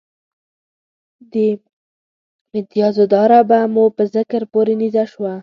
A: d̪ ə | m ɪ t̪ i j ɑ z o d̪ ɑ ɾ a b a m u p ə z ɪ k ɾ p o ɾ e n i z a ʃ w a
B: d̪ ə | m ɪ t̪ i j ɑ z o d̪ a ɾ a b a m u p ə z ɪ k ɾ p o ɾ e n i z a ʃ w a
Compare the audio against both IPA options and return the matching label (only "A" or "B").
A